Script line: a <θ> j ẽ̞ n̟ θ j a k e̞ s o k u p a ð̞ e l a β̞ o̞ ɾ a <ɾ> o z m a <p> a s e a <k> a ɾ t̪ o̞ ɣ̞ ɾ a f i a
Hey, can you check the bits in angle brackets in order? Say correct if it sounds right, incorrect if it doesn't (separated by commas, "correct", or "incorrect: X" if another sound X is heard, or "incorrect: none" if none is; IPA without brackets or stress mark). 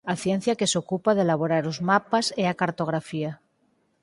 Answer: correct, correct, correct, correct